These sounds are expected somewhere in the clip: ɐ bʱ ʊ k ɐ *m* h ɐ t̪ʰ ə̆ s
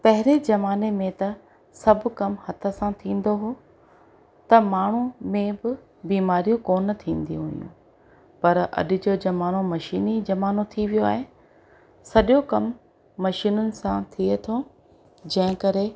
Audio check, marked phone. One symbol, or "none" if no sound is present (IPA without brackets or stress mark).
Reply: m